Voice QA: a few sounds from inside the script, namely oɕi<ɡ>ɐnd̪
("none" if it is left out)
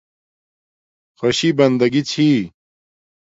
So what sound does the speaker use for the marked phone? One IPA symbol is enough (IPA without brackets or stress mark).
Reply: b